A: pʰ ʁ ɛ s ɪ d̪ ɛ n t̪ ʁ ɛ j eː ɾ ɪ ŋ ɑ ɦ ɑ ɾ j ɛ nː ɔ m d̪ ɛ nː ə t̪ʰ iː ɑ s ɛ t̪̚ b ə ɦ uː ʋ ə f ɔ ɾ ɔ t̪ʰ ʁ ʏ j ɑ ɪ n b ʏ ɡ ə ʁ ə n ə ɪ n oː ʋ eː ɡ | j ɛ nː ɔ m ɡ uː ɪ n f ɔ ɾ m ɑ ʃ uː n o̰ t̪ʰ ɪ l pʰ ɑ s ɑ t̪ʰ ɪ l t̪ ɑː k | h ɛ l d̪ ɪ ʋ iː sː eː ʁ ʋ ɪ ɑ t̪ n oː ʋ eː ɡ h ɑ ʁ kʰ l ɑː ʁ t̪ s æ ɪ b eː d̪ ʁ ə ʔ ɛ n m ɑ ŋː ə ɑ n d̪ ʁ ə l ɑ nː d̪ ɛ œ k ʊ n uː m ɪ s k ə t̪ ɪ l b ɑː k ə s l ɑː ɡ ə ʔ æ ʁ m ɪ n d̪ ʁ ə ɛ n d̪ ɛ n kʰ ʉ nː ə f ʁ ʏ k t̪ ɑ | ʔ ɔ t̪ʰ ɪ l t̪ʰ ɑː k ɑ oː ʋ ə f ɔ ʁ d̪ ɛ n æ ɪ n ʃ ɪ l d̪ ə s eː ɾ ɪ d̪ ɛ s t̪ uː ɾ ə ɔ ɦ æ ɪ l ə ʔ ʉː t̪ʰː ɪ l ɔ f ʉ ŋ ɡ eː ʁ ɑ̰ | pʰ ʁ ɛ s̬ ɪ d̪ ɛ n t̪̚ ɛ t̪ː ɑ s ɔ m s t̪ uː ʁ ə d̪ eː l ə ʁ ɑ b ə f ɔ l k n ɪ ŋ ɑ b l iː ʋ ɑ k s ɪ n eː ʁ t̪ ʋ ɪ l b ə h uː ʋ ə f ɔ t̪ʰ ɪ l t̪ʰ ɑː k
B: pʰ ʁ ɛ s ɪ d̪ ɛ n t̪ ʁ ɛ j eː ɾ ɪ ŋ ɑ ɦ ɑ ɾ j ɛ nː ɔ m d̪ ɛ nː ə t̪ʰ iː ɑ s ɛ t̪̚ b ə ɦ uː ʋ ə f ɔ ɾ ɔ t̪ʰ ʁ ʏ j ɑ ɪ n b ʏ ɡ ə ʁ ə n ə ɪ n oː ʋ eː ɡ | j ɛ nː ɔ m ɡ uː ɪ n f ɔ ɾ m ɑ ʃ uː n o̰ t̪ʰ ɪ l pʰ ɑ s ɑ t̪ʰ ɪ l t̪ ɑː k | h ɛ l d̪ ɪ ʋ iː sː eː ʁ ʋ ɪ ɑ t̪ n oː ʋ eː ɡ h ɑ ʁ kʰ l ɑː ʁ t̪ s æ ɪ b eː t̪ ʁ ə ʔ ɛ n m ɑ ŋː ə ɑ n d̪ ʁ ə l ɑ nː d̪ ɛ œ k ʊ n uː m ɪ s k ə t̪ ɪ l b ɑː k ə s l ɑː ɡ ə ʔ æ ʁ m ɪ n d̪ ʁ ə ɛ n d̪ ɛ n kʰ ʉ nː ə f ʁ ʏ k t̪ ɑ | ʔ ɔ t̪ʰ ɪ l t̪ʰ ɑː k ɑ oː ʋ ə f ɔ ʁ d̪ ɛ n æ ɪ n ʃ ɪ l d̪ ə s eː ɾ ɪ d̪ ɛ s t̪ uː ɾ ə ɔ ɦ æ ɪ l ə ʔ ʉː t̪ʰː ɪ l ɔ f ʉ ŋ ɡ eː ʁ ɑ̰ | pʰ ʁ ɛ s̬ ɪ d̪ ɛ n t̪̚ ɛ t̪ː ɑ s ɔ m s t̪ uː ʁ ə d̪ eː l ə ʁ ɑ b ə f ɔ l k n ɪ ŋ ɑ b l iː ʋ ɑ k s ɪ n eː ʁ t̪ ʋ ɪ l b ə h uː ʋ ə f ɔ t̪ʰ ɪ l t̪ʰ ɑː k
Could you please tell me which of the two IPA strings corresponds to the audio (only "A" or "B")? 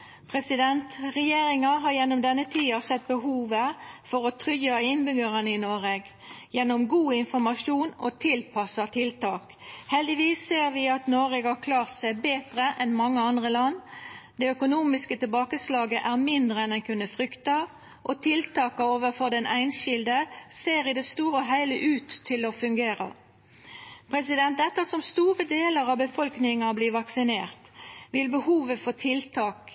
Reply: B